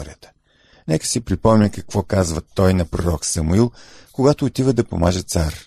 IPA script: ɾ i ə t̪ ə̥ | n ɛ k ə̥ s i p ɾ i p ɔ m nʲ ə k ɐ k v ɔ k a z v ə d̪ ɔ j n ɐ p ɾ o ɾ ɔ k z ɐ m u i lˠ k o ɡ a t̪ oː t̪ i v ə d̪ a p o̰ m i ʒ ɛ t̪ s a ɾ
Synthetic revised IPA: ɾ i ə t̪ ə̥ | n ɛ k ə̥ s i p ɾ i p ɔ m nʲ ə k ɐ k v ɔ k a z v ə t̪ ɔ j n ɐ p ɾ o ɾ ɔ k s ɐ m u i lˠ k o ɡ a t̪ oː t̪ i v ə d̪ ɐ p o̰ m a ʒ ɛ t̪ s a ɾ